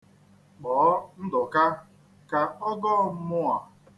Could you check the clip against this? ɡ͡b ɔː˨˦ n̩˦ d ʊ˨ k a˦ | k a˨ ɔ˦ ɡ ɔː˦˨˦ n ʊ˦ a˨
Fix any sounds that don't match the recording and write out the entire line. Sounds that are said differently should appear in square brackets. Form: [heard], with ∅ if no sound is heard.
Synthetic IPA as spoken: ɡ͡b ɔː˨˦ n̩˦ d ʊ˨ k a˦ | k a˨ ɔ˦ ɡ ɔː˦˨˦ [m] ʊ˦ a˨